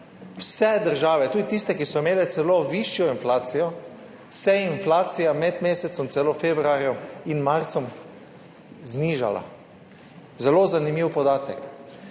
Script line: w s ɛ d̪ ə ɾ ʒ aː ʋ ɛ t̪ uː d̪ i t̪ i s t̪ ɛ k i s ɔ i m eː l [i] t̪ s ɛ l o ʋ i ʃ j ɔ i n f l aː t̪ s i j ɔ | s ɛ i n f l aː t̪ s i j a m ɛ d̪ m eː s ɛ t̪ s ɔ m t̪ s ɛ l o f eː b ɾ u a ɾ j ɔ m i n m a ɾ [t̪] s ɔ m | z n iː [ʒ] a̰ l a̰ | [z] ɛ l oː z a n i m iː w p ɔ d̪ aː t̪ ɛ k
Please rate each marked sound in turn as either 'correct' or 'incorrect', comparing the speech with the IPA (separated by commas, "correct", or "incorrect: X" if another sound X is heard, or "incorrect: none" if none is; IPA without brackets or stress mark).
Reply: incorrect: ɛ, correct, correct, correct